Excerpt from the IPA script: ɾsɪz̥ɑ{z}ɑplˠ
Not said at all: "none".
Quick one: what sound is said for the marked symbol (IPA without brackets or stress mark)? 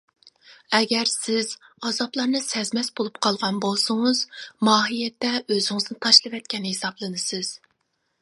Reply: z